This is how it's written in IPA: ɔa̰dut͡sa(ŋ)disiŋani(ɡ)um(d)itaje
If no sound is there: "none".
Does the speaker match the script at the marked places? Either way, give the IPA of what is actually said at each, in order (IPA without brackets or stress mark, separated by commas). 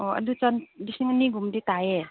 n, ɡ, d